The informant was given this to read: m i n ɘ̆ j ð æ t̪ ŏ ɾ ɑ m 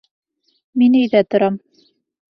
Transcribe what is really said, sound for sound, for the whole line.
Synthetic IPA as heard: m i n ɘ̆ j ð æ t̪ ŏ ɾ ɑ m

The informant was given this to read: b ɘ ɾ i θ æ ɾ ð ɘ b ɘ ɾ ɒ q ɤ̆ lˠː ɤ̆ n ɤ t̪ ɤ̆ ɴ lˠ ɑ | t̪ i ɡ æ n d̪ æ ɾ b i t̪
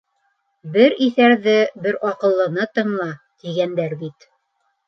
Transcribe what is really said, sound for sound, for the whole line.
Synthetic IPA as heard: b ɘ ɾ i θ æ ɾ ð ɘ b ɘ ɾ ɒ q ɤ̆ lˠː ɤ̆ n ɤ t̪ ɤ̆ ɴ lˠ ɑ | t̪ i ɡ æ n d̪ æ ɾ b i t̪

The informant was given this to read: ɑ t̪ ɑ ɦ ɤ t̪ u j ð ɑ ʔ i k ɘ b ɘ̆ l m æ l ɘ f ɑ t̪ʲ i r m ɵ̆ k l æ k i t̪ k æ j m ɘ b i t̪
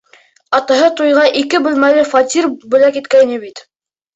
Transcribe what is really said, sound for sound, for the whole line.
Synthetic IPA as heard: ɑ t̪ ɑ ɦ ɤ t̪ u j ʁ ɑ ʔ i k ɘ b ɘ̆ l m æ l ɘ f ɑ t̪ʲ i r b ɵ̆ l æ k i t̪ k æ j n ɘ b i t̪

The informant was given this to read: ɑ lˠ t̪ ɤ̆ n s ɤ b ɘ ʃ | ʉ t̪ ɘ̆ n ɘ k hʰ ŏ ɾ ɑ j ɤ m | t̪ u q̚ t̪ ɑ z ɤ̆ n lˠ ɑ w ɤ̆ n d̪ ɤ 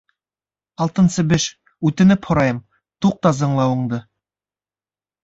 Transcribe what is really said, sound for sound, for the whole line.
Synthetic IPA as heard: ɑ lˠ t̪ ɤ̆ n s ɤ b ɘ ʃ | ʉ t̪ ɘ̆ n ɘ p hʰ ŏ ɾ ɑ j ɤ m | t̪ u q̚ t̪ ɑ z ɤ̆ ɴ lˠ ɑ w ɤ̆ ɴ d̪ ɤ

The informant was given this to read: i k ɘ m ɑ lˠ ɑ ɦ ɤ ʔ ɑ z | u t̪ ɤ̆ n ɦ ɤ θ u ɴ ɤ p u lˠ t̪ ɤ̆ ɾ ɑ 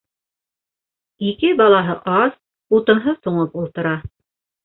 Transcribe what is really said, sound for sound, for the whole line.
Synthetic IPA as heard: i k ɘ b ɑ lˠ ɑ ɦ ɤ ʔ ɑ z | u t̪ ɤ̆ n ɦ ɤ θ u ɴ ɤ p u lˠ t̪ ɤ̆ ɾ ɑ

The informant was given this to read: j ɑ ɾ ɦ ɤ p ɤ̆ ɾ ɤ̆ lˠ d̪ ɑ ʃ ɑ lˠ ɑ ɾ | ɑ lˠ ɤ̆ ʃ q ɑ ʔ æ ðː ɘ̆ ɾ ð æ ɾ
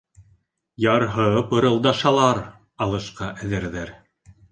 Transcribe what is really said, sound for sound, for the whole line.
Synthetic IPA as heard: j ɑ ɾ ɦ ɤ p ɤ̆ ɾ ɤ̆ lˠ d̪ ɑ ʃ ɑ lˠ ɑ ɾ | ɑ lˠ ɤ̆ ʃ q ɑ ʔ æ ð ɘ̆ ɾ ð æ ɾ

